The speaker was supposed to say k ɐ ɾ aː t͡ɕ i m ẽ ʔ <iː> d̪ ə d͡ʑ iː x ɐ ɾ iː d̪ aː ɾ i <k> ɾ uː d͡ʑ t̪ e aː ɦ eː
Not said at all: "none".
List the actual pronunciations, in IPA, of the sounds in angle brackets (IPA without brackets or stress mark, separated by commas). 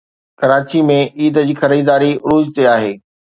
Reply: iː, none